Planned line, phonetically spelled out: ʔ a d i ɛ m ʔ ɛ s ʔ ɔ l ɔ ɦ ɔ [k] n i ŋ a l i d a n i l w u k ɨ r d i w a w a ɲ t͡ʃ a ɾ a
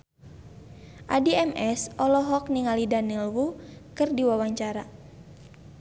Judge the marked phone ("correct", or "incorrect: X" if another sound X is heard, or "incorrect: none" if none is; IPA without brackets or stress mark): correct